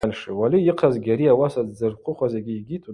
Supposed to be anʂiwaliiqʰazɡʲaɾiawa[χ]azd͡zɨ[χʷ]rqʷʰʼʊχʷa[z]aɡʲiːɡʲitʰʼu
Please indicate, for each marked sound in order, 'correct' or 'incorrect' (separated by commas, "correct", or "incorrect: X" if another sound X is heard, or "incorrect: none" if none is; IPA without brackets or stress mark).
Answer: incorrect: s, incorrect: none, correct